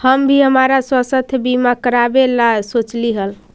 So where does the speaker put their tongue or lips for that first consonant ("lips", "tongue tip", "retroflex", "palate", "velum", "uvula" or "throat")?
throat